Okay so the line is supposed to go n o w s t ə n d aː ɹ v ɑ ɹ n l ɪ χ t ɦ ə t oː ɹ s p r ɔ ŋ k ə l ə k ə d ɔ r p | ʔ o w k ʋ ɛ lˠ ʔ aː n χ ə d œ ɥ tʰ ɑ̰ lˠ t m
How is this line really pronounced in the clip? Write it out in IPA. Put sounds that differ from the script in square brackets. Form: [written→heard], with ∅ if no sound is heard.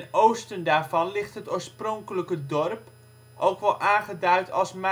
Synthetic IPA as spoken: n o w s t ə n d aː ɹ v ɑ [ɹ→∅] n l ɪ χ t ɦ ə t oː ɹ s p r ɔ ŋ k ə l ə k ə d ɔ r p | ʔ o w k ʋ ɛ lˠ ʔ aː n χ ə d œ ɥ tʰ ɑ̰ lˠ [t→s] m